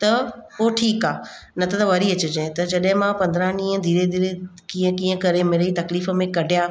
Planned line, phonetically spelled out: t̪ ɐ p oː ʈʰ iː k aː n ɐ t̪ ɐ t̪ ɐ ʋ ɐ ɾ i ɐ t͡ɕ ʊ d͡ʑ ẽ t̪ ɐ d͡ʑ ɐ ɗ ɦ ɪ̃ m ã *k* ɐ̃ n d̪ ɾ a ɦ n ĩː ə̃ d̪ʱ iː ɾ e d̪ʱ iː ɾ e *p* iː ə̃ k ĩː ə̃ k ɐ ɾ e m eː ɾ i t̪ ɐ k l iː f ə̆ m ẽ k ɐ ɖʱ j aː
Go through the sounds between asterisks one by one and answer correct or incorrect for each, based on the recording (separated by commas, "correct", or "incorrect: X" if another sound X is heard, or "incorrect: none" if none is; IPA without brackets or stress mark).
incorrect: p, incorrect: k